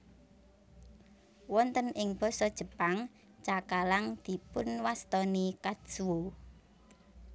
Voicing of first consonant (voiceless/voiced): voiced